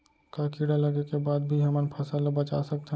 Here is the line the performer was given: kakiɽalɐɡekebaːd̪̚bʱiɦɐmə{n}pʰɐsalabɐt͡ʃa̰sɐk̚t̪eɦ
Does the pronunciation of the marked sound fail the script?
no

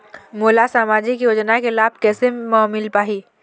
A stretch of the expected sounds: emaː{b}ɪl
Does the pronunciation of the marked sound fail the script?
yes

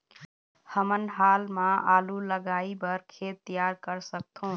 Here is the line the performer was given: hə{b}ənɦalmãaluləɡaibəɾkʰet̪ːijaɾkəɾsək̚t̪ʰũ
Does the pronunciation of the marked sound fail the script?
yes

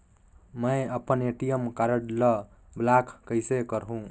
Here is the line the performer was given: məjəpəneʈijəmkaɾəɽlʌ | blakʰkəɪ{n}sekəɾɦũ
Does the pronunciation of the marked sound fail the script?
yes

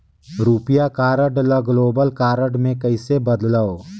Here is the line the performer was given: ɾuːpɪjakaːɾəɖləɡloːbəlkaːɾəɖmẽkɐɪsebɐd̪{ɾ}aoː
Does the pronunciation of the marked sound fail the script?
yes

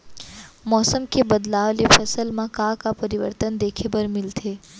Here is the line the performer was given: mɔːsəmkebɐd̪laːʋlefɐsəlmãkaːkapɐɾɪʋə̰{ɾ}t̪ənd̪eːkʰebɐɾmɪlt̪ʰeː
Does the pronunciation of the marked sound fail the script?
no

